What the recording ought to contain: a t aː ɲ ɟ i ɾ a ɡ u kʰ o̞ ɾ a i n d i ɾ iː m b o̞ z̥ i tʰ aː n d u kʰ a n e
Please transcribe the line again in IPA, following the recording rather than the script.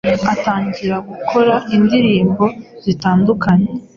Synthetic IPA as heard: a t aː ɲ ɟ i ɾ a ɡ u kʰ o̞ ɾ a i n d i ɾ iː m b o̞ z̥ i t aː n d u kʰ a ɲ e